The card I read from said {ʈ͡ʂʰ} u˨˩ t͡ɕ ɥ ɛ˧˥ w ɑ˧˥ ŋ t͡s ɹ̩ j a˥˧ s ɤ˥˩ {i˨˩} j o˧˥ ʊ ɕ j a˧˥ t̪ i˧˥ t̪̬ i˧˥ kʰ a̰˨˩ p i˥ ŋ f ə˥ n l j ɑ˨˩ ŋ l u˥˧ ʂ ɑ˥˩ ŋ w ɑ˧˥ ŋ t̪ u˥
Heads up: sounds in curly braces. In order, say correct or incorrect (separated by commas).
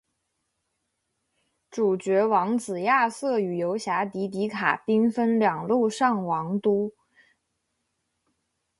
incorrect, incorrect